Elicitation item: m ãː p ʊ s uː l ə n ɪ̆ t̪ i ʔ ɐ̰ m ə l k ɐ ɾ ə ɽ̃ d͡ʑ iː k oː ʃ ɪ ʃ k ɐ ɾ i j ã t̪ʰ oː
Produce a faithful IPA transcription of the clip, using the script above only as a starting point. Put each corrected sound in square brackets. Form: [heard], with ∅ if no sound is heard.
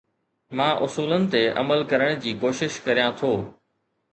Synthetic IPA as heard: m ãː [ʔ] ʊ s uː l ə n ɪ̆ t̪ [e] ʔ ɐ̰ m ə l k ɐ ɾ ə ɽ̃ d͡ʑ iː k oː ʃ ɪ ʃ k ɐ ɾ i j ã t̪ʰ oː